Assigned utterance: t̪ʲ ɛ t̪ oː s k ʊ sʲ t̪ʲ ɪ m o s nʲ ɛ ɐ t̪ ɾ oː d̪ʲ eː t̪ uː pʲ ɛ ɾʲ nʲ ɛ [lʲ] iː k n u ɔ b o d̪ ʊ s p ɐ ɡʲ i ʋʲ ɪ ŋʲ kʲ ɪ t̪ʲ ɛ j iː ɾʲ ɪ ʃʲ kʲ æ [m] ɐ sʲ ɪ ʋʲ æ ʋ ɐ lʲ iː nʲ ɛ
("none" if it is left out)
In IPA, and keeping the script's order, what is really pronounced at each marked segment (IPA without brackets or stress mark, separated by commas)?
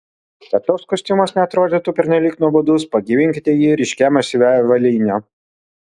lʲ, m